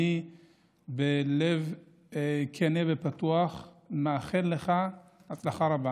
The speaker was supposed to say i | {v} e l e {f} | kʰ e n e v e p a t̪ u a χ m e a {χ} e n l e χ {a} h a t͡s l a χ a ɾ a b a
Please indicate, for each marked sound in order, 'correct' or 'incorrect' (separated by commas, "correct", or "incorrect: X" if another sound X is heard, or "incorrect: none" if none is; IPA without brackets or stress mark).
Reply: incorrect: b, incorrect: v, correct, correct